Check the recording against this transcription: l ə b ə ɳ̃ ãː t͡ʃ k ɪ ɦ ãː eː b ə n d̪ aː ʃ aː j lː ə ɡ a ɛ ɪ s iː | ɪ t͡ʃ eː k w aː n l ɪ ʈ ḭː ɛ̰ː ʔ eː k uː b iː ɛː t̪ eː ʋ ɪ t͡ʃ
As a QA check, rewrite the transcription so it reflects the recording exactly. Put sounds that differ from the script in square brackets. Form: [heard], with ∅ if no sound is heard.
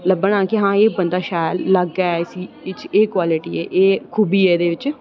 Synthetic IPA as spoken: l ə b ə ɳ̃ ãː [∅] k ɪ ɦ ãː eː b ə n d̪ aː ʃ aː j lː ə ɡ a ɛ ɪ s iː | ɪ t͡ʃ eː k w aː [∅] l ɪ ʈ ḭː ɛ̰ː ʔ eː [kʰ] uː b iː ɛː [d̪] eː ʋ ɪ t͡ʃ